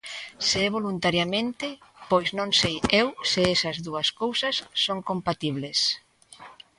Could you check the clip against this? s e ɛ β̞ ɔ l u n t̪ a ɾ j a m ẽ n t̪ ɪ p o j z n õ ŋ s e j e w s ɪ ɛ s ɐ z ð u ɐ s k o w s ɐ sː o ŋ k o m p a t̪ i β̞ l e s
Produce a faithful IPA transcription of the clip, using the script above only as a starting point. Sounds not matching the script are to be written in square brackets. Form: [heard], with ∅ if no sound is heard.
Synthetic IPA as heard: s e ɛ β̞ [o] l u n t̪ a ɾ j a m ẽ n t̪ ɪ p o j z n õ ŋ s e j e w s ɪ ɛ s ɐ z ð u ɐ s k o w s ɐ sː o ŋ k o m p a t̪ i β̞ l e s